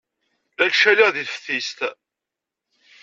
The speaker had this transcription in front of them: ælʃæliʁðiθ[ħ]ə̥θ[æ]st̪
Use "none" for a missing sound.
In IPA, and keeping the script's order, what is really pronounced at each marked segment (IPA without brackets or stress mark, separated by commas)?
f, i